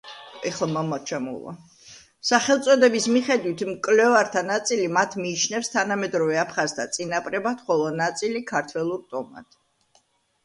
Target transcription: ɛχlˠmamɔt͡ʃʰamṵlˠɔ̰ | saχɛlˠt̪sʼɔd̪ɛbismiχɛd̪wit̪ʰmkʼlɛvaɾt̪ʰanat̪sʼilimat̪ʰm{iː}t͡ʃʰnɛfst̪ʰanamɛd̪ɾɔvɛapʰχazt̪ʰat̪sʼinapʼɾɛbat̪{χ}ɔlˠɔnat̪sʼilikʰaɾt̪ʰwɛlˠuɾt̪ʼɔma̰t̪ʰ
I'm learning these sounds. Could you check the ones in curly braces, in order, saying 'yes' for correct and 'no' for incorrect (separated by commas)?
yes, yes